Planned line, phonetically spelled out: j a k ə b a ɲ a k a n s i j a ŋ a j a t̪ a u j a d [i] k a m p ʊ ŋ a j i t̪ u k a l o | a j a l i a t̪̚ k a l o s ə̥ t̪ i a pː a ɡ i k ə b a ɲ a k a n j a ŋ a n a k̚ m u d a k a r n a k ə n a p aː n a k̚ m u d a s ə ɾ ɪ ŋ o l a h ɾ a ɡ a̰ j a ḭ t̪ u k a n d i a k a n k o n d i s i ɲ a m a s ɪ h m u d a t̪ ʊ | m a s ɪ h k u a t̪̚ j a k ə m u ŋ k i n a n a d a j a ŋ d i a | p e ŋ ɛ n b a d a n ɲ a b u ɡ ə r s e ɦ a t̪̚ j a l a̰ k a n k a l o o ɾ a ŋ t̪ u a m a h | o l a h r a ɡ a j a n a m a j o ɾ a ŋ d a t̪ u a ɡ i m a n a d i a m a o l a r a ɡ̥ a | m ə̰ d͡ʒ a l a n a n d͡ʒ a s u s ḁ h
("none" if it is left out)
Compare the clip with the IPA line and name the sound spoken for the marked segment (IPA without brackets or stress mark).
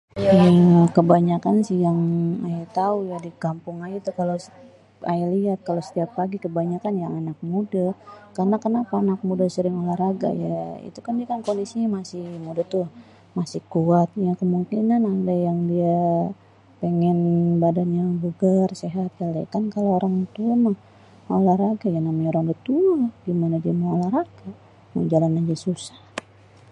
i